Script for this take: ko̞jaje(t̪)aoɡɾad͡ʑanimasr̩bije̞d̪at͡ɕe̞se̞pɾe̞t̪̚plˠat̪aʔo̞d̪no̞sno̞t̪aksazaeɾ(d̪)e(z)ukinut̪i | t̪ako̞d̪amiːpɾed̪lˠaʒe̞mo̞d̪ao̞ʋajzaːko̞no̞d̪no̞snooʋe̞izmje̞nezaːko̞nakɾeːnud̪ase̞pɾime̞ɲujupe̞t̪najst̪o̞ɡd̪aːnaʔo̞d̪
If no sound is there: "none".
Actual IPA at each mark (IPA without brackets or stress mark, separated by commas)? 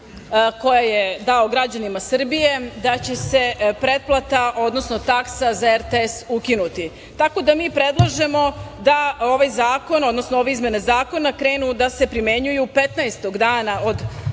d̪, t̪, s